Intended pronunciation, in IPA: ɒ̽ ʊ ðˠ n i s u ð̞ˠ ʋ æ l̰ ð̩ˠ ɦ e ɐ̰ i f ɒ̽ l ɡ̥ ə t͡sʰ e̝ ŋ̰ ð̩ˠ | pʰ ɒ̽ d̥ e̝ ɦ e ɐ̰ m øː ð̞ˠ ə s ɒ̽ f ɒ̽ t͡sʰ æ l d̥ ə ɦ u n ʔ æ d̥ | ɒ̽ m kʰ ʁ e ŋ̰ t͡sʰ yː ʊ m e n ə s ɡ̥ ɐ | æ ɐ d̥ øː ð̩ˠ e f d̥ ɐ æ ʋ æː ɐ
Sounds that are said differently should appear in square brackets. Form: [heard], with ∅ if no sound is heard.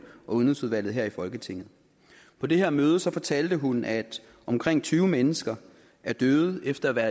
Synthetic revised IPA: ɒ̽ [u] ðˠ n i s u ð̞ˠ ʋ æ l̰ ð̩ˠ ɦ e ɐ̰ i f ɒ̽ l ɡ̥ ə t͡sʰ e̝ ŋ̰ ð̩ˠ | pʰ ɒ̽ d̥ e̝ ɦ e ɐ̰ m øː ð̞ˠ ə s ɒ̽ f ɒ̽ t͡sʰ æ l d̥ ə ɦ u n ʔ æ d̥ | ɒ̽ m kʰ ʁ e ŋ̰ t͡sʰ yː ʊ m e n ə s ɡ̥ ɐ | æ ɐ d̥ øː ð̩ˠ e f d̥ ɐ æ ʋ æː ɐ